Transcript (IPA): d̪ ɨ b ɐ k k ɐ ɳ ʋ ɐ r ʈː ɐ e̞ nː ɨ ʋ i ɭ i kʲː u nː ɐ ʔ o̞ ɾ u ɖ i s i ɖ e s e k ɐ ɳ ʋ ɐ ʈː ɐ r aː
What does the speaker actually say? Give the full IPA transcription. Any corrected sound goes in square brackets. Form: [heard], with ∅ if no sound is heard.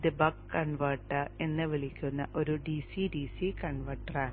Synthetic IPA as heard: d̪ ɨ b ɐ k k ɐ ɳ ʋ ɐ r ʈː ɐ e̞ nː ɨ ʋ i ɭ i kʲː u nː ɐ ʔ o̞ ɾ u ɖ i s i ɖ [i] s [i] k ɐ ɳ ʋ ɐ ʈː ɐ r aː